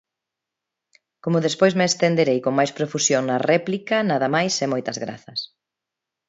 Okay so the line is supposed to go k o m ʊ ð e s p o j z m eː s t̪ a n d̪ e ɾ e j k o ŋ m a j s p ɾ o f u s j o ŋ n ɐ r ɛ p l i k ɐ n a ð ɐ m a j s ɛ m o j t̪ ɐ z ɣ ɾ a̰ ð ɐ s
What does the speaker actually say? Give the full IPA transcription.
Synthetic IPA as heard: k o m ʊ ð e s p o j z m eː s t̪ e n d̪ e ɾ e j k o ŋ m a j s p ɾ o f u s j o ŋ n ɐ r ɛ p l i k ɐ n a ð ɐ m a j s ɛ m o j t̪ ɐ z ɣ ɾ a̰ θ ɐ s